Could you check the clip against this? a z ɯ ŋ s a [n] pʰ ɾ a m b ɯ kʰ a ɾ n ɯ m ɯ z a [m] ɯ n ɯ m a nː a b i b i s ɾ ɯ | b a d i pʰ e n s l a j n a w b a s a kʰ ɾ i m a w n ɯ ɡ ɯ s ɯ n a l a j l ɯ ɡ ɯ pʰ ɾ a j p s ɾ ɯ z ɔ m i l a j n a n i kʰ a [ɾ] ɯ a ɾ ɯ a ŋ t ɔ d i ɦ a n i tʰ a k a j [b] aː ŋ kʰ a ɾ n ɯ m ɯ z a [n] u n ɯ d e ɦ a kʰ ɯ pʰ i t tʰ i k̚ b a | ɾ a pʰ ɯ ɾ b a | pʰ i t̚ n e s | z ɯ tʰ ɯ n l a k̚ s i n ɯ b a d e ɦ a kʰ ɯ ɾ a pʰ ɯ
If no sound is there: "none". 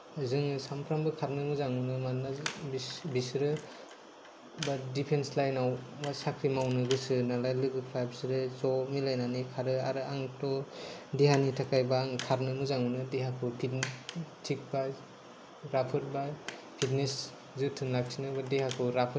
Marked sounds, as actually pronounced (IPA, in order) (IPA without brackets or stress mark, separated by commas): m, ŋ, ɾ, b, ŋ